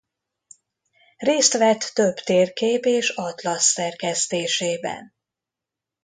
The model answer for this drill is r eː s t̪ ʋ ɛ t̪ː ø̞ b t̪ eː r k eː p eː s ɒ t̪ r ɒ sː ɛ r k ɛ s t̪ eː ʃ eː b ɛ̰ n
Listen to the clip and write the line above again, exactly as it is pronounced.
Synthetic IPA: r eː s t̪ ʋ ɛ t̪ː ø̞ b t̪ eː r k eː p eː ʃ ɒ t̪ l ɒ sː ɛ r k ɛ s t̪ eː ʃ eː b ɛ̰ n